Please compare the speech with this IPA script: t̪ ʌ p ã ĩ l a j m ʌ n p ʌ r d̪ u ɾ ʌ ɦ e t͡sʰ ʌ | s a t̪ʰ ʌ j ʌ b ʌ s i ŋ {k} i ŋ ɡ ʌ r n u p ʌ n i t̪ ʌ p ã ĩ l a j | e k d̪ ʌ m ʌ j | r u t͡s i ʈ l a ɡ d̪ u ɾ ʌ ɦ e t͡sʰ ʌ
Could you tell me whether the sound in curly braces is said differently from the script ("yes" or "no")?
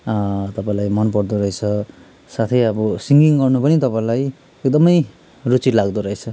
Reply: yes